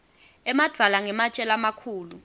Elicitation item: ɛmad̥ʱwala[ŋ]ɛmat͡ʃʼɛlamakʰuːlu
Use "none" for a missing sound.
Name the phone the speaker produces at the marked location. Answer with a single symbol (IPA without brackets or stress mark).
ŋ